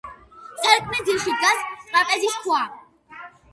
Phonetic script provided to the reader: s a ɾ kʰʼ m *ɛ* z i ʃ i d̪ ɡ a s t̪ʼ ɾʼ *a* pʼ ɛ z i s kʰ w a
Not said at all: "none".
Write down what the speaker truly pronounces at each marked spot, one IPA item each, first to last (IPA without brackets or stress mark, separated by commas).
ɛ, a